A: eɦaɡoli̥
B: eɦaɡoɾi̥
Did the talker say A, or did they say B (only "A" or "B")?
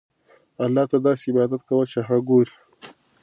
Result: B